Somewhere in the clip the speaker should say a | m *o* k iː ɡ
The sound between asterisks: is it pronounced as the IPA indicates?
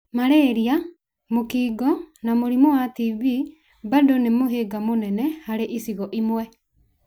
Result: yes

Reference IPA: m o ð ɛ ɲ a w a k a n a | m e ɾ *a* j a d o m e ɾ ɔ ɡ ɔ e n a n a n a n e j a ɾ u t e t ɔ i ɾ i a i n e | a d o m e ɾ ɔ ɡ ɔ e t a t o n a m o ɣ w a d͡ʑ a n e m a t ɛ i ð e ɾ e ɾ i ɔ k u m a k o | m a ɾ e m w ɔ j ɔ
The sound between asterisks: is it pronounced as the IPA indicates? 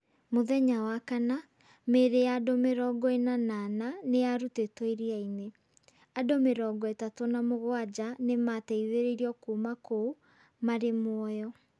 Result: no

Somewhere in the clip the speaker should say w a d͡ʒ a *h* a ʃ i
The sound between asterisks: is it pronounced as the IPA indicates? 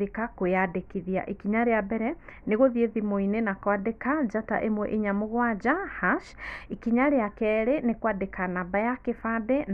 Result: yes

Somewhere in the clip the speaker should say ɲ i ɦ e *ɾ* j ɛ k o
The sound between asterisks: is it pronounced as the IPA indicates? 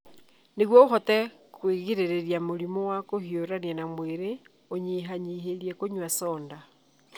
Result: yes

